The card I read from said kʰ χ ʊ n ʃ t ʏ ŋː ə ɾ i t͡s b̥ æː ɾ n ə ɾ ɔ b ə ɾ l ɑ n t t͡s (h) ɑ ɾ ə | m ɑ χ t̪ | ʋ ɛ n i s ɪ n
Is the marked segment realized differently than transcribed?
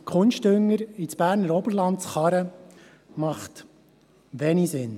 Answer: yes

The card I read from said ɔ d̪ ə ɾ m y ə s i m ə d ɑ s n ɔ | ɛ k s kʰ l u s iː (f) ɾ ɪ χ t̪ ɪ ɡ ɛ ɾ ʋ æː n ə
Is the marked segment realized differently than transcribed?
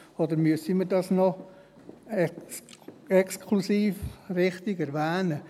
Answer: no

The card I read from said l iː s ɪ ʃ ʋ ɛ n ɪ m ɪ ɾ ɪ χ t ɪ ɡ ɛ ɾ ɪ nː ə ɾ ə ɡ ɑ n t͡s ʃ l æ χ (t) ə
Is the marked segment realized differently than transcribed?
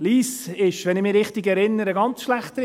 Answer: no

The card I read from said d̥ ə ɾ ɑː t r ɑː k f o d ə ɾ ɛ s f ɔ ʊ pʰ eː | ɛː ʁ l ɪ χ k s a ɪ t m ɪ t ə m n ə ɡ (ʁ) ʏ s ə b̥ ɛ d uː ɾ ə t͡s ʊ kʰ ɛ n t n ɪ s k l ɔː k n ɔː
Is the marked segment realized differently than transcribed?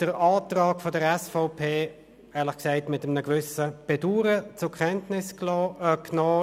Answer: yes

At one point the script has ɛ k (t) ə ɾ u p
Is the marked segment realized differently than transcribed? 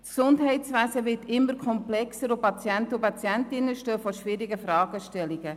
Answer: yes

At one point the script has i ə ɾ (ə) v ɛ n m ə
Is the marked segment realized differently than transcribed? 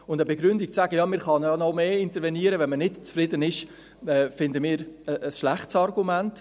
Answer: no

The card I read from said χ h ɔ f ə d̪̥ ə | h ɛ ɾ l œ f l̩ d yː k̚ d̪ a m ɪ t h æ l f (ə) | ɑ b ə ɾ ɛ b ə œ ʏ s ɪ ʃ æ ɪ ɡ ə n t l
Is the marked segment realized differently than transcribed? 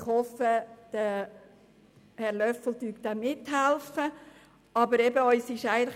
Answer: no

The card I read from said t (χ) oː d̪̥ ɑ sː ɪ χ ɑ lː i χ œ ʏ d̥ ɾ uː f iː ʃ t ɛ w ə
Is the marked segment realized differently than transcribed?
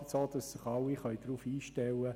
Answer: yes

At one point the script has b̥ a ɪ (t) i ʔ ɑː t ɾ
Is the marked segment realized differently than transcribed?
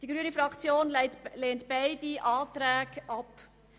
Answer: yes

